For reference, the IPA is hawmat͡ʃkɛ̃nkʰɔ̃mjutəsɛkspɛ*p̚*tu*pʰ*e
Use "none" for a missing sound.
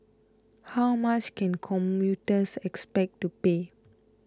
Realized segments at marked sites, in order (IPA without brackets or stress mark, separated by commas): k̚, p